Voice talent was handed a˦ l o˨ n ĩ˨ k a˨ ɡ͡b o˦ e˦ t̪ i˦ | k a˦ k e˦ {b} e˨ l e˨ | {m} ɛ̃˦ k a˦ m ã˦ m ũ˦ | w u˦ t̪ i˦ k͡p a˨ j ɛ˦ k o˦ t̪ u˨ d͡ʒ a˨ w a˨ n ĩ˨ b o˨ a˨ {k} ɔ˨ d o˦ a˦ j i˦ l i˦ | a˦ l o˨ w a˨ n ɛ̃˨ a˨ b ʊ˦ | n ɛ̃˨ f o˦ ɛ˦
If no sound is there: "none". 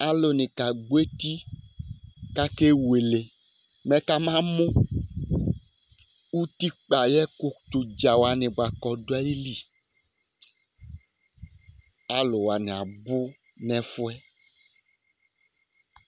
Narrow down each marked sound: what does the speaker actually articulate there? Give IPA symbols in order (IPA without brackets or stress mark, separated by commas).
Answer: w, m, k